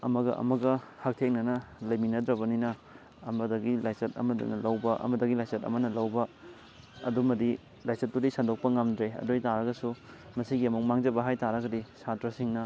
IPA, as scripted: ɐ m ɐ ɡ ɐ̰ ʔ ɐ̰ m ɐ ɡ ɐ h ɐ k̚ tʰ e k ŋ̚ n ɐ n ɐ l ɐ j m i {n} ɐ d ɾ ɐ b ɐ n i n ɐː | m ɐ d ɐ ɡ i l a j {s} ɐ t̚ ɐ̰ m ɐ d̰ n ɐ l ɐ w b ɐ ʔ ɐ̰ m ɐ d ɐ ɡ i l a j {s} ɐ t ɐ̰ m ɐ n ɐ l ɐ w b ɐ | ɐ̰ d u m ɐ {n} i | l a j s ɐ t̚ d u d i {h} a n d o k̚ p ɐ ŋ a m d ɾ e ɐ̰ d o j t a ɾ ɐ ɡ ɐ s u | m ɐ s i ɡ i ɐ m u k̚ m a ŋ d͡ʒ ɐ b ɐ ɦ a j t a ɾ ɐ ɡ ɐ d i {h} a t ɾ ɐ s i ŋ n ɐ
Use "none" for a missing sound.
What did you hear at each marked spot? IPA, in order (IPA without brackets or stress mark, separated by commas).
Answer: n, s, s, d, s, s